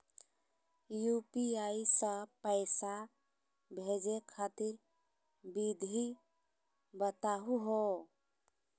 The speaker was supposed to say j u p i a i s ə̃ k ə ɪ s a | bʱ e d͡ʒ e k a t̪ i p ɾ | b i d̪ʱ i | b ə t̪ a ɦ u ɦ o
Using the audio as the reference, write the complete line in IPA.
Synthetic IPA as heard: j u p i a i s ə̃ p ə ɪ s a | bʱ e d͡ʒ e kʰ a t̪ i ɾ | b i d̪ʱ i | b ə t̪ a ɦ u ɦ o